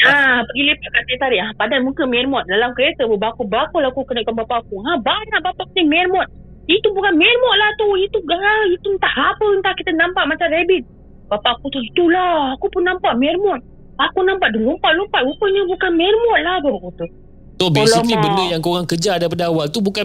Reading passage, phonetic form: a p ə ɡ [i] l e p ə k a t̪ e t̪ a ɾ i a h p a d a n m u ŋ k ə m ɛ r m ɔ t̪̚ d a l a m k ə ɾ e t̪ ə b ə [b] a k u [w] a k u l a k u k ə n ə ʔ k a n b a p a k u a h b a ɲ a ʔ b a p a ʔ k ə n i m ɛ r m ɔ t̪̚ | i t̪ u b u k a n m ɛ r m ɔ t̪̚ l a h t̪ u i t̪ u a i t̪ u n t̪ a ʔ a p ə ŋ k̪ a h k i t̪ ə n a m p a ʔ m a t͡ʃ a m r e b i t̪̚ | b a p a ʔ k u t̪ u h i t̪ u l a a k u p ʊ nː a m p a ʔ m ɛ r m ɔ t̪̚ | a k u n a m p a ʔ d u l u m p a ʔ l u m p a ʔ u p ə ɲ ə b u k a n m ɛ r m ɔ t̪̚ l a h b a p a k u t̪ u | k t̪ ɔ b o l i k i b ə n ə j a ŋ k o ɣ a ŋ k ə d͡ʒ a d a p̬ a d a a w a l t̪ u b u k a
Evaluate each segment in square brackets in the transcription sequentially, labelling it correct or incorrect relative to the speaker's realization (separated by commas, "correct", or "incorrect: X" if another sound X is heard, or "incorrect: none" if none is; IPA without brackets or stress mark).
correct, correct, incorrect: b